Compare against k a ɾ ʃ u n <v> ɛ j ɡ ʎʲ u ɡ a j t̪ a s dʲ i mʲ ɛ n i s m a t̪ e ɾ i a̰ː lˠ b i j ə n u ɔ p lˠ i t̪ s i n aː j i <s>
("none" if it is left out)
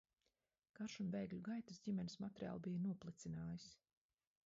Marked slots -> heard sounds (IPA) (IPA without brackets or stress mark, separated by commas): v, s